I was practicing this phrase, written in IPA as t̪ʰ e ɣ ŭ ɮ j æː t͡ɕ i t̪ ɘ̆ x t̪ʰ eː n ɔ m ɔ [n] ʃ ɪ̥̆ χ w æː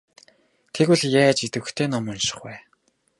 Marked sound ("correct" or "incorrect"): correct